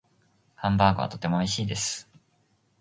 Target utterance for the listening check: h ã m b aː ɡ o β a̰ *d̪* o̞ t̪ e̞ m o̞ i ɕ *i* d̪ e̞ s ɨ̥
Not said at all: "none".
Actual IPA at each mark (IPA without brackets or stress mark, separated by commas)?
t̪, iː